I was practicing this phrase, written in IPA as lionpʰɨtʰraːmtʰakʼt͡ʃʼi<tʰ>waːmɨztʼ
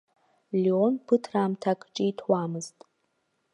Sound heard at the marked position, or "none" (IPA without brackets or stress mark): tʰ